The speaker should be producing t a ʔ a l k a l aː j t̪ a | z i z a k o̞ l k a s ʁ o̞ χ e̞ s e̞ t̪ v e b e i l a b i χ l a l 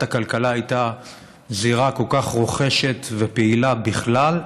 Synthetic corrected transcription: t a k a l k a l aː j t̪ a | z i ʁ a k o̞ l k a χ ʁ o̞ χ e̞ ʃ e̞ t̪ v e p e i l a b i χ l a l